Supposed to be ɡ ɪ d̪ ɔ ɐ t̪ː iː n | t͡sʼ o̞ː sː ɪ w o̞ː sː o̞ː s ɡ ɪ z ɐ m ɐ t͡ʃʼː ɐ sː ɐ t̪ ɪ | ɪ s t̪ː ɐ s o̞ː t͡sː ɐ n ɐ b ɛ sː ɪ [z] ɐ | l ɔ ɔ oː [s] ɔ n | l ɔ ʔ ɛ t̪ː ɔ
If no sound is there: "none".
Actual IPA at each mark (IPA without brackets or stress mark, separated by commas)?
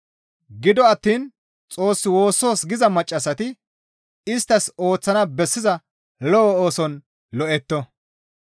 z, s